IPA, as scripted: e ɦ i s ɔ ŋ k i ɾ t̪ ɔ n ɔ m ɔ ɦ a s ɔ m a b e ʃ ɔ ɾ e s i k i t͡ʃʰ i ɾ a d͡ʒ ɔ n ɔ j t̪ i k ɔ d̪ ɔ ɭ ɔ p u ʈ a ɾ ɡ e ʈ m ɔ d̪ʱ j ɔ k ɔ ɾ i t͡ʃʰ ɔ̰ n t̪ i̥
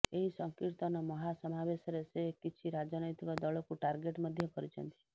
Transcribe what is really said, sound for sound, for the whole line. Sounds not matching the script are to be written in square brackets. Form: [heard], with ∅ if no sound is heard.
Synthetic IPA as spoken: e ɦ i s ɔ ŋ k i ɾ t̪ ɔ n ɔ m ɔ ɦ a s ɔ m a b e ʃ ɔ ɾ e s [e] k i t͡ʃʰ i ɾ a d͡ʒ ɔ n ɔ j t̪ i k ɔ d̪ ɔ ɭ ɔ [k] u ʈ a ɾ ɡ e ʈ m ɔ d̪ʱ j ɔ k ɔ ɾ i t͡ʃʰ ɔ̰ n t̪ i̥